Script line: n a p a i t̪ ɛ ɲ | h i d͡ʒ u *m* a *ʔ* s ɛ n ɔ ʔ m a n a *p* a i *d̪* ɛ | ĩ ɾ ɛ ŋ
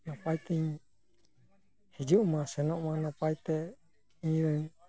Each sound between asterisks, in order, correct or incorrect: correct, incorrect: none, correct, incorrect: t̪

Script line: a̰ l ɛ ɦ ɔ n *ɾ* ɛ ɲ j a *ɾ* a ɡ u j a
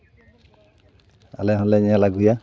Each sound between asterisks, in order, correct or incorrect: incorrect: l, incorrect: l

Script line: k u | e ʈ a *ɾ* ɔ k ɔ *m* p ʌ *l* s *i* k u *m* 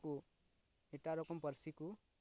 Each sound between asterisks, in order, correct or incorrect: correct, correct, incorrect: ɾ, correct, incorrect: none

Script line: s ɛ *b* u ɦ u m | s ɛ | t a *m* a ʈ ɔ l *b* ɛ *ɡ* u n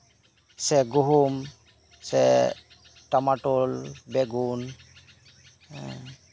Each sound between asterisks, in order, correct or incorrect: incorrect: ɡ, correct, correct, correct

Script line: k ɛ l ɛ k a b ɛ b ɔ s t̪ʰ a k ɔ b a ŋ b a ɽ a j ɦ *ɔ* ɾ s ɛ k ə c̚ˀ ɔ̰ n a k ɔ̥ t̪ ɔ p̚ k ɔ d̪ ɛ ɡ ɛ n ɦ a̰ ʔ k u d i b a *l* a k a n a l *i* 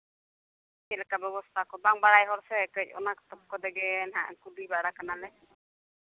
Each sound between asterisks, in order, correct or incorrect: correct, incorrect: ɽ, incorrect: ɛ

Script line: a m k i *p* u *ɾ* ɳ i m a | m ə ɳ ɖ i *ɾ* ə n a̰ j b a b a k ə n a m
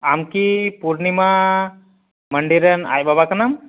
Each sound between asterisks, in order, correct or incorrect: correct, correct, correct

